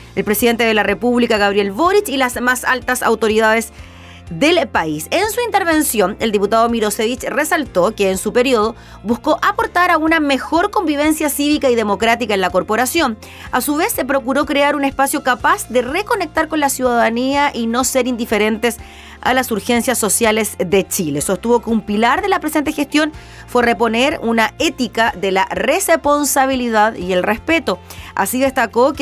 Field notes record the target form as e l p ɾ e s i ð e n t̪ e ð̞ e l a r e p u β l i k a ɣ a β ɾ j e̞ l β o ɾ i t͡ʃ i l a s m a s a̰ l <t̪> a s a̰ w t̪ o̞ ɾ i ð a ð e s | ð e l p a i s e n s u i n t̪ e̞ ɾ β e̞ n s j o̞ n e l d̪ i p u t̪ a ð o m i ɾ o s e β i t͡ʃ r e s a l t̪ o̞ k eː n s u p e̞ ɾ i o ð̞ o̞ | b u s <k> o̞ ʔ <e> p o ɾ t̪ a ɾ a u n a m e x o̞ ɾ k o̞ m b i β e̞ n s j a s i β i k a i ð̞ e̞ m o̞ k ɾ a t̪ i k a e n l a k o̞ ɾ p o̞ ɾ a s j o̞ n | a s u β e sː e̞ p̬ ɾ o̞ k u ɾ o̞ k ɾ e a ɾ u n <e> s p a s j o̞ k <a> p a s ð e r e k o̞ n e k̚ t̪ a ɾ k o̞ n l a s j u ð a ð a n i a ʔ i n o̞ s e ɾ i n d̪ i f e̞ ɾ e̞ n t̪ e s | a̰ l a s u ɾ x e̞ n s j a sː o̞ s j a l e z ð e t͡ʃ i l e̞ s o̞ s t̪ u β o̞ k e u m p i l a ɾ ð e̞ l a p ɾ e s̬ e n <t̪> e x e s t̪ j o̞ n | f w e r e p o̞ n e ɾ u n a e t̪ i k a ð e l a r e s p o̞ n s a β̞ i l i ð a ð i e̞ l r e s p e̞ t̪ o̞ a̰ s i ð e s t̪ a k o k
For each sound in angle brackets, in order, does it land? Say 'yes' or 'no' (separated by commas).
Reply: yes, yes, no, yes, yes, yes